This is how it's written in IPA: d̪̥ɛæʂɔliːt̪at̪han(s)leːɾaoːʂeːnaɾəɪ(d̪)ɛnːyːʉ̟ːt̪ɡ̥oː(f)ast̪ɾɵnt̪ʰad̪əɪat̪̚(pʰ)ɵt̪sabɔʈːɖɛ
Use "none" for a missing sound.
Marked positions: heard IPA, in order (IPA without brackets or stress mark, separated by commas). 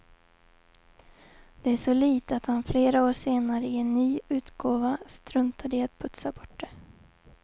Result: f, none, v, pʰ